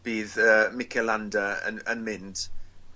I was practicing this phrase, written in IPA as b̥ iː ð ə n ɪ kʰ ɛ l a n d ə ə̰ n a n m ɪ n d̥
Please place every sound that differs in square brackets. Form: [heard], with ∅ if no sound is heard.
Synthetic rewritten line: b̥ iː ð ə [m] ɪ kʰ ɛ l a n d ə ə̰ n [ə] n m ɪ n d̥